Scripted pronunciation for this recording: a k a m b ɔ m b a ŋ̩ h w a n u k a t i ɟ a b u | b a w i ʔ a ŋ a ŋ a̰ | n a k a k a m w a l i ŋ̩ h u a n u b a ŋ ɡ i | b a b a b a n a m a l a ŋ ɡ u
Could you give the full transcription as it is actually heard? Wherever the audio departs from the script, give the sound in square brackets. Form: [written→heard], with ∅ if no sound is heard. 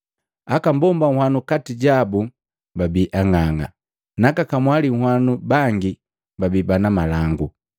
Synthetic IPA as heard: a k a m b ɔ m b a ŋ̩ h w a n u k a t i ɟ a b u | b a [w→b] i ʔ a ŋ a ŋ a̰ | n a k a k a m w a l i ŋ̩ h [u→w] a n u b a ŋ ɡ i | b a b [a→i] b a n a m a l a ŋ ɡ u